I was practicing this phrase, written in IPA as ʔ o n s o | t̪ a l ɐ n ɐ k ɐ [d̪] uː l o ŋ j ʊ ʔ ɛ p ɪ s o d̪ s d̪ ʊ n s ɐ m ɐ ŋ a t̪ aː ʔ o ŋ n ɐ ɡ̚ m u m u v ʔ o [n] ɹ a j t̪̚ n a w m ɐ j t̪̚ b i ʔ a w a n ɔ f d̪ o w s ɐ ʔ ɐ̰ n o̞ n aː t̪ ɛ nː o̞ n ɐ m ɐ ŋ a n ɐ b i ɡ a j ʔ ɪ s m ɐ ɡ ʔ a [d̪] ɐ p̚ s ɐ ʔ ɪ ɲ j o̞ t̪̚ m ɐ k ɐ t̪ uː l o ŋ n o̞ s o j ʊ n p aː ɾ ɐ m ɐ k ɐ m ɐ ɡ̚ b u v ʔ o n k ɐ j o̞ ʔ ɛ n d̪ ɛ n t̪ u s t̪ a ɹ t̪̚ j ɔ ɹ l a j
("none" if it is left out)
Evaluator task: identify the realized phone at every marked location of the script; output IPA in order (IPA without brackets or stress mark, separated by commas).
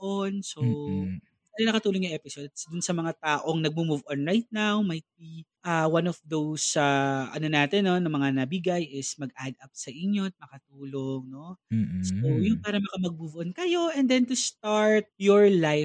t̪, n, d̪